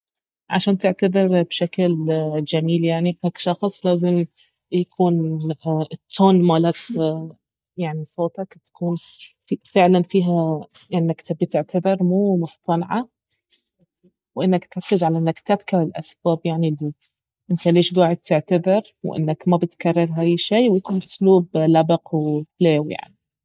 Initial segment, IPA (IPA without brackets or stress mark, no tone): ʕ